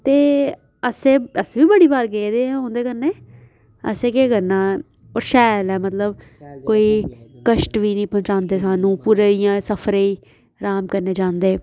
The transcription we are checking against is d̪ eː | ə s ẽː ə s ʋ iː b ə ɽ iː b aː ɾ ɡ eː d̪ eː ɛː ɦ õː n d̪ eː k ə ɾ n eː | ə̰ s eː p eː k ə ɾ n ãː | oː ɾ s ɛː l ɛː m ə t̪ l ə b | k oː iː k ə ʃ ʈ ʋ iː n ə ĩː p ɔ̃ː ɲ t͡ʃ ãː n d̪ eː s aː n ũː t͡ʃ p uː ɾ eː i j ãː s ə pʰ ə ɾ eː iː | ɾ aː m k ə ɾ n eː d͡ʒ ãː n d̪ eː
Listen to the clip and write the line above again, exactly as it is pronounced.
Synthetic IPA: t̪ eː | ə s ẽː ə s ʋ iː b ə ɽ iː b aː ɾ ɡ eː d̪ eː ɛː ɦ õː n d̪ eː k ə ɾ n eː | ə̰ s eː k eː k ə ɾ n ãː | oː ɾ ʃ ɛː l ɛː m ə t̪ l ə b | k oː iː k ə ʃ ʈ ʋ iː n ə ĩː p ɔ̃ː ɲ t͡ʃ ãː n d̪ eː s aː n ũː p uː ɾ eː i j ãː s ə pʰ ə ɾ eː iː | ɾ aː m k ə ɾ n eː d͡ʒ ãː n d̪ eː